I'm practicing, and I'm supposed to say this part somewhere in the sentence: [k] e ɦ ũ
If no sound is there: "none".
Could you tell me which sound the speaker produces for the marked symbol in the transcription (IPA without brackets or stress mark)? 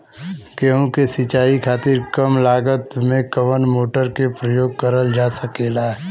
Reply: k